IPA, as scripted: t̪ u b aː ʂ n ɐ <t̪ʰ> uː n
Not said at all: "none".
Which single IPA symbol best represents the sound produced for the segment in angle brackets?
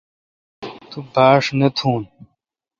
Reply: t̪ʰ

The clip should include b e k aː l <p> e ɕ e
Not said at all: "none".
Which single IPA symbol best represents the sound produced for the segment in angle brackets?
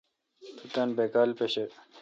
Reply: p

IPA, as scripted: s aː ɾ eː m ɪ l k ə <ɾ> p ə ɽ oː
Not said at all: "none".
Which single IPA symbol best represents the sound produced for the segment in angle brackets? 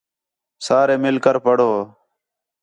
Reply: ɾ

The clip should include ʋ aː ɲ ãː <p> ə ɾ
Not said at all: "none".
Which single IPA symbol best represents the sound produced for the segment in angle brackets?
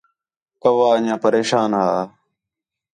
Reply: p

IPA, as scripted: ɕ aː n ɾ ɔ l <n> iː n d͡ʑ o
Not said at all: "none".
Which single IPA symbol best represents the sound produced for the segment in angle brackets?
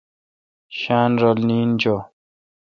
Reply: n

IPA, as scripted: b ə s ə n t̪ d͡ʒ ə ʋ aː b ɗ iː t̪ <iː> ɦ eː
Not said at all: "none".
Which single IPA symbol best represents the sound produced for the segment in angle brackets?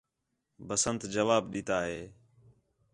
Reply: aː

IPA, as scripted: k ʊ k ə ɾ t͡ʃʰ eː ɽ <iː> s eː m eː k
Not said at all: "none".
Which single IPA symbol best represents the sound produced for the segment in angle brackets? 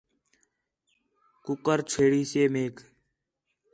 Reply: iː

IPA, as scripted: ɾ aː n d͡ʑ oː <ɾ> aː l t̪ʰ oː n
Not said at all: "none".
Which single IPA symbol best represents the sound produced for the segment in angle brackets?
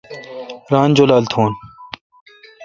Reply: l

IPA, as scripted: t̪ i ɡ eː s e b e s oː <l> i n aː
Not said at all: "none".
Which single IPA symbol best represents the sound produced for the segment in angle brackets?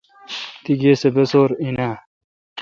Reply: ɾ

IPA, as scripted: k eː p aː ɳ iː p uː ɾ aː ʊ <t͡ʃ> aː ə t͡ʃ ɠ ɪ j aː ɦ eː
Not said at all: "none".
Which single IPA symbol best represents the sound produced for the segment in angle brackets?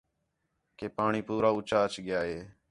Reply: t͡ʃ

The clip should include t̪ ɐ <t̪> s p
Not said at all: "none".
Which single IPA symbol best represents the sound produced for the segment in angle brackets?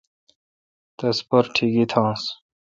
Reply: none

